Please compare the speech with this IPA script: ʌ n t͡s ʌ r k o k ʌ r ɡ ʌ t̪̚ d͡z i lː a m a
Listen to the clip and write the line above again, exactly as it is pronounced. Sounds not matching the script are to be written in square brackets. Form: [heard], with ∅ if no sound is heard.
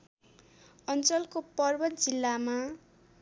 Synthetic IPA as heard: ʌ n t͡s ʌ [l] k o [p] ʌ r [b] ʌ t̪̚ d͡z i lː a m a